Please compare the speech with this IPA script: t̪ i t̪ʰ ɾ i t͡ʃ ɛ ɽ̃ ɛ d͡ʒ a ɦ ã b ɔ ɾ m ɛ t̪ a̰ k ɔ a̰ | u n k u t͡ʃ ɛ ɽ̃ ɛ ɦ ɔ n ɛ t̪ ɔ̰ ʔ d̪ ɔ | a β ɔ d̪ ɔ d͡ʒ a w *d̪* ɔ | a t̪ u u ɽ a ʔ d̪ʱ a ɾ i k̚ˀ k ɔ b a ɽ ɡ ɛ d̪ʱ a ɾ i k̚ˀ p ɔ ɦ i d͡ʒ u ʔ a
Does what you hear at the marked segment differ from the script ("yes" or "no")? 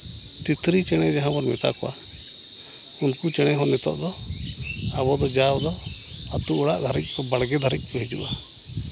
no